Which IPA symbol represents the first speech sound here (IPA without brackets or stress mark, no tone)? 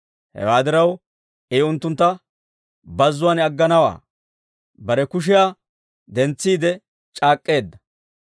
h